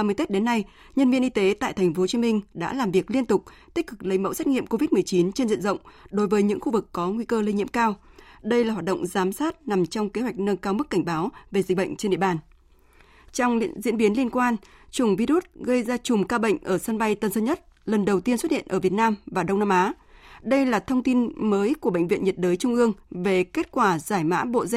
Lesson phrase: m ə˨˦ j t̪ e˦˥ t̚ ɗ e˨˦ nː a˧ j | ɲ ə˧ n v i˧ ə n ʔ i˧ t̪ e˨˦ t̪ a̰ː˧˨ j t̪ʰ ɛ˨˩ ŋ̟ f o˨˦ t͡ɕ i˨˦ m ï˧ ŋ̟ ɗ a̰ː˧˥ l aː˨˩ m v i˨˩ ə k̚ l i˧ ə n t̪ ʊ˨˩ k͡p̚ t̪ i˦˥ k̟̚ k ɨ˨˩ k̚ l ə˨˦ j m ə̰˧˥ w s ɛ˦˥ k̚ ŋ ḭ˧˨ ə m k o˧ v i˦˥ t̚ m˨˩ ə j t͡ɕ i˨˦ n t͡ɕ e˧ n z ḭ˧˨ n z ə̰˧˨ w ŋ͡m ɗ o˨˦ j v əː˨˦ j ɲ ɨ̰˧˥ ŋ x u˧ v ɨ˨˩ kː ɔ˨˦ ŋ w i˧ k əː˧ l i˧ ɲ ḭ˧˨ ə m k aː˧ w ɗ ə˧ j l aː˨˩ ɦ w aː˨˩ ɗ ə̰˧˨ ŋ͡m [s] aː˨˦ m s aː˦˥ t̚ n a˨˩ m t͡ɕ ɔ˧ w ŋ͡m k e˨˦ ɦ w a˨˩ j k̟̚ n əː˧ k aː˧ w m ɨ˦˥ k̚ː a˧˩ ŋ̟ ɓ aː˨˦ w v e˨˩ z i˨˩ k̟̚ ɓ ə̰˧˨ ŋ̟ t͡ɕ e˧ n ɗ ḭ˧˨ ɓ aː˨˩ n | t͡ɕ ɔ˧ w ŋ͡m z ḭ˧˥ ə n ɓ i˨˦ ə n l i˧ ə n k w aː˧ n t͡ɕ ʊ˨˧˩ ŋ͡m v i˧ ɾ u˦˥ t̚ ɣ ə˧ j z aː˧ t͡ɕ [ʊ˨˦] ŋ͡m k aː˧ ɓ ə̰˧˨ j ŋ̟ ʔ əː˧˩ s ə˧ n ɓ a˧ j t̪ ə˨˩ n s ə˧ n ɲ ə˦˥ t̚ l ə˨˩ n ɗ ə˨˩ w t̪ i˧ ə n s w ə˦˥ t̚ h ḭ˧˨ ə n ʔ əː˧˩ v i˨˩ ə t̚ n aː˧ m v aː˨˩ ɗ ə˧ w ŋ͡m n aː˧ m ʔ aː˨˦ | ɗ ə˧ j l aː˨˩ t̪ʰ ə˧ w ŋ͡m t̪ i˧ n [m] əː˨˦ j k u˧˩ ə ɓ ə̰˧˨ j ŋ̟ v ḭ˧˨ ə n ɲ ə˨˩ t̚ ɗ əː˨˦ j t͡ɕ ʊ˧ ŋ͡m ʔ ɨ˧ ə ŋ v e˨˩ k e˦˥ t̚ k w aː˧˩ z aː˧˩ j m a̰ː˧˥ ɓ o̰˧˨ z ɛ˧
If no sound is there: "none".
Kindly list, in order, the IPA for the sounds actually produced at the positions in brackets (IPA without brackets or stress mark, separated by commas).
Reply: z, ʊ˨˩, m